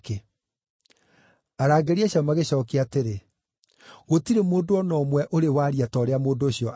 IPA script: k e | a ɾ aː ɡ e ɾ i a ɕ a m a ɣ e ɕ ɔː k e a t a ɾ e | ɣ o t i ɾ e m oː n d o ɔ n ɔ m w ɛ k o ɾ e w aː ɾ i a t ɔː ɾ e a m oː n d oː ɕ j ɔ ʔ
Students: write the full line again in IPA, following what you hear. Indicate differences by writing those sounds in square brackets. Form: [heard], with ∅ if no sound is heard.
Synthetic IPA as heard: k e | a ɾ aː ɡ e ɾ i a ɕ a m a ɣ e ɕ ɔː k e a t [e] ɾ e | ɣ o t i ɾ e m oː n d o ɔ n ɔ m w ɛ [ʔ] o ɾ e w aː ɾ i a t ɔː ɾ e a m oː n d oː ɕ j ɔ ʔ